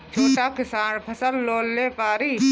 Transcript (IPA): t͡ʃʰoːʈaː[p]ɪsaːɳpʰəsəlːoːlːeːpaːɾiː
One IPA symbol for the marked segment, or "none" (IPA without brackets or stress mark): k